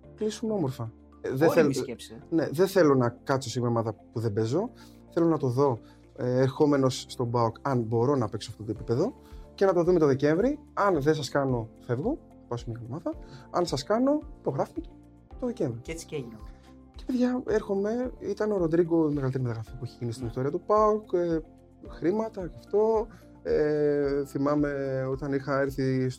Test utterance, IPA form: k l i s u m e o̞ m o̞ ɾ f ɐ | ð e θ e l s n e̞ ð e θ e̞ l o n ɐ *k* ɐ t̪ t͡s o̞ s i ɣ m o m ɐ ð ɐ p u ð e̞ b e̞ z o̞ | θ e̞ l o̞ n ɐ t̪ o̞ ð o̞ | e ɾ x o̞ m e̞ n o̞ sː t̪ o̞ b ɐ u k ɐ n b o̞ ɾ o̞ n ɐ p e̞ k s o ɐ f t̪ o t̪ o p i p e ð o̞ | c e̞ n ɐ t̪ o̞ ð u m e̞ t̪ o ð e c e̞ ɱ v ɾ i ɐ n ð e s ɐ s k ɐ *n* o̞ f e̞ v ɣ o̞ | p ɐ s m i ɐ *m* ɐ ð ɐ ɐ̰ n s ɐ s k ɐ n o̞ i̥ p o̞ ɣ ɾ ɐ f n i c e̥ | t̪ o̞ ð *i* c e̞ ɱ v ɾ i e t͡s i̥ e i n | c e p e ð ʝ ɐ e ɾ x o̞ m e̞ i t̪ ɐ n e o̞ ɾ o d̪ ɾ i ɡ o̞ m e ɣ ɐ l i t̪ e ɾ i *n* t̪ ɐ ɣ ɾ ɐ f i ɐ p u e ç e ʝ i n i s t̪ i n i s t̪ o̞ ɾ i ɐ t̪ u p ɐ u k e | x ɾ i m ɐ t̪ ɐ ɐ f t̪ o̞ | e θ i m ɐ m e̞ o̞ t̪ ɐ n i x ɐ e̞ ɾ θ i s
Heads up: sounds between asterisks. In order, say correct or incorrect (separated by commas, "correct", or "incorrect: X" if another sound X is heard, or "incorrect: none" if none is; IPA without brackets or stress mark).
correct, correct, correct, incorrect: e, incorrect: m